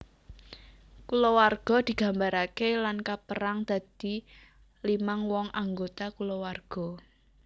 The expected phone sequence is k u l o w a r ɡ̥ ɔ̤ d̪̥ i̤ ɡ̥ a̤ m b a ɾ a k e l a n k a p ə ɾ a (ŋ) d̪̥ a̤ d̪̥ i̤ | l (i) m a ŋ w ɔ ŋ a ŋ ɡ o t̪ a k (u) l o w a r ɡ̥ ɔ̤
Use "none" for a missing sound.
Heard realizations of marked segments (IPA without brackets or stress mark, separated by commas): ŋ, i, u